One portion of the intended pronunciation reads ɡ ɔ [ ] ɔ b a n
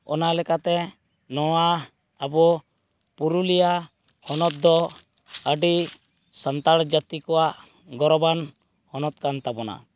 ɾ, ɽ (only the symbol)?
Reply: ɾ